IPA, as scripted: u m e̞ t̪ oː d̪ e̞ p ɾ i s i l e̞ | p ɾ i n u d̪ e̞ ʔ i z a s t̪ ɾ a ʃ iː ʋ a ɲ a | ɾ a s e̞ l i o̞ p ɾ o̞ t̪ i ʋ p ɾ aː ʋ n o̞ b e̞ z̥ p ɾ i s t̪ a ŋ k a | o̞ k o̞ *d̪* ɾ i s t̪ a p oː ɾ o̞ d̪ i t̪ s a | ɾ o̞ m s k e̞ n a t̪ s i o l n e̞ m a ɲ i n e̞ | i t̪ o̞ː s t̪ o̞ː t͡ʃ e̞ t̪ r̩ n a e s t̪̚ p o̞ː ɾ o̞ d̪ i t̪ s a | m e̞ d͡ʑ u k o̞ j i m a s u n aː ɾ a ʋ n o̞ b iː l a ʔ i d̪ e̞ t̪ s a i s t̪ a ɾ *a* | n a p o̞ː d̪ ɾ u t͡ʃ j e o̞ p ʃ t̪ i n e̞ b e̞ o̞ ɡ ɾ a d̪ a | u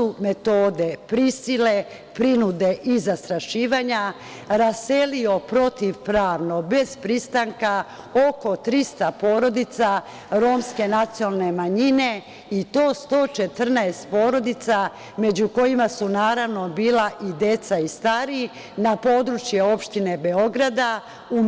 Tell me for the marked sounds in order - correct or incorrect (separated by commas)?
incorrect, incorrect